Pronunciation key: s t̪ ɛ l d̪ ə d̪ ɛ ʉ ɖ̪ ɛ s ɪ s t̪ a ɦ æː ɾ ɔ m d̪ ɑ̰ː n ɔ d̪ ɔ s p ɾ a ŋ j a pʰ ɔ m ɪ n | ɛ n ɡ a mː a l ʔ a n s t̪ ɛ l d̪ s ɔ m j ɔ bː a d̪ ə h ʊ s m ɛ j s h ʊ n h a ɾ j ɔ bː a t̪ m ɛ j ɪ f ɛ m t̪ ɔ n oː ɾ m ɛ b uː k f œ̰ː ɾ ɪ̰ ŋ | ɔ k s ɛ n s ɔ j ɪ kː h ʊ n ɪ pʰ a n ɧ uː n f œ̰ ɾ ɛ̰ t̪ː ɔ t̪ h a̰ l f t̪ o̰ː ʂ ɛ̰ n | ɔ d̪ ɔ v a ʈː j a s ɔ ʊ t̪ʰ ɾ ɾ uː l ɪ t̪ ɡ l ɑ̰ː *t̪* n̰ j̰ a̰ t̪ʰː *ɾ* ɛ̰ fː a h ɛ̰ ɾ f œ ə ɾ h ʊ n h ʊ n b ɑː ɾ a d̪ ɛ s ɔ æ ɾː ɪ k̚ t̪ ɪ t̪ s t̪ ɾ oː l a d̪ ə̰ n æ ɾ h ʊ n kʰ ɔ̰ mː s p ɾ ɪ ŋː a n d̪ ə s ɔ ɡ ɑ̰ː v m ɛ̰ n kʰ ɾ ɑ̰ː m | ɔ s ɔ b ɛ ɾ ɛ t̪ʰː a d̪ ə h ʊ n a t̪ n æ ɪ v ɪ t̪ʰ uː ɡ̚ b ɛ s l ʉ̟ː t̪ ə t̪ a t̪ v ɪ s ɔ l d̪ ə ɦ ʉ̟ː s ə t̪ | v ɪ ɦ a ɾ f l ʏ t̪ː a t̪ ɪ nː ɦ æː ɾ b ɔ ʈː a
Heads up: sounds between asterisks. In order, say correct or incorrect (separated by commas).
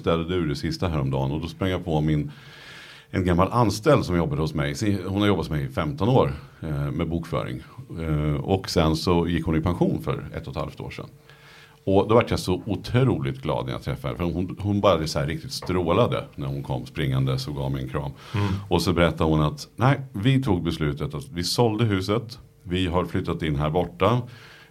incorrect, correct